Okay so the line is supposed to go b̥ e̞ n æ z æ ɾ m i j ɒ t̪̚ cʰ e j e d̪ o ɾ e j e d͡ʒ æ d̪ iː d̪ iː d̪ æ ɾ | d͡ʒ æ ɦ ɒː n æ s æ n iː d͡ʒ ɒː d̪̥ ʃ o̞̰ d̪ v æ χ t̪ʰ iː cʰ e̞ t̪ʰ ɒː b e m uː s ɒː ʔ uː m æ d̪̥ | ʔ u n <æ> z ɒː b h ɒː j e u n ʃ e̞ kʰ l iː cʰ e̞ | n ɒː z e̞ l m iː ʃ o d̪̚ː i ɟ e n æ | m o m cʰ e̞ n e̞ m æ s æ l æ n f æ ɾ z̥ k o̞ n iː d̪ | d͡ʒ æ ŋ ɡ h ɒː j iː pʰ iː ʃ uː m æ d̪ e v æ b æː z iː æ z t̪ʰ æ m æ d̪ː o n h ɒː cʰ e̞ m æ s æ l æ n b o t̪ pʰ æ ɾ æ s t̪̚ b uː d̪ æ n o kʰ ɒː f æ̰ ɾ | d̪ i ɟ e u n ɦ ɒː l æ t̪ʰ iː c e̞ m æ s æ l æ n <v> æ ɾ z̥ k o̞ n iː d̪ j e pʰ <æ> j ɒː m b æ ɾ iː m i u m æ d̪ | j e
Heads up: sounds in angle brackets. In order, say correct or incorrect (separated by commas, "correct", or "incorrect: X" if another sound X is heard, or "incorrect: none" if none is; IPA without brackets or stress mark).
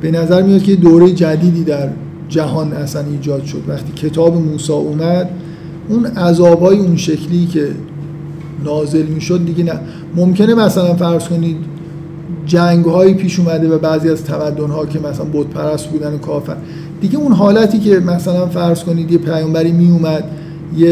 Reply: correct, incorrect: f, correct